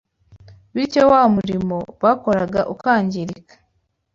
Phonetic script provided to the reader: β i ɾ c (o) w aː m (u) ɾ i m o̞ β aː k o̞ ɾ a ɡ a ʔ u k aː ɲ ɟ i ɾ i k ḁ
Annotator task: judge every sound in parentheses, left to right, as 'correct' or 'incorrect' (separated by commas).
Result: correct, correct